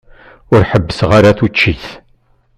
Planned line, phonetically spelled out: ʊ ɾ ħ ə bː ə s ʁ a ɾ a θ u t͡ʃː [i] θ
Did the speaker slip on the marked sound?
no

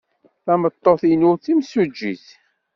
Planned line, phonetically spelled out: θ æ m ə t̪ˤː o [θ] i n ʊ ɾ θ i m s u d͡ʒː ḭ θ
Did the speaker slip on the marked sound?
no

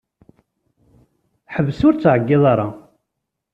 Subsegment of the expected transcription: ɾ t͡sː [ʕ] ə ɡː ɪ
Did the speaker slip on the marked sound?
no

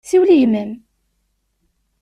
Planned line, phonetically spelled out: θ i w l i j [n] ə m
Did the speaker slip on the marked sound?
yes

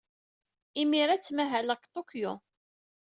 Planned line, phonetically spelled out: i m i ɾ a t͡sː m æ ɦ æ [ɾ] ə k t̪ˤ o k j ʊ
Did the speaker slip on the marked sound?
yes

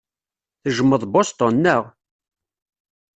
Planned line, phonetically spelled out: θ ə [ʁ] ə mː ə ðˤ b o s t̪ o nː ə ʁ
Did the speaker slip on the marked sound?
yes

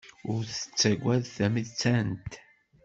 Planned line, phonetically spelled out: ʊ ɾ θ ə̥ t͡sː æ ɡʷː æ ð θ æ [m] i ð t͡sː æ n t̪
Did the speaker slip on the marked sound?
no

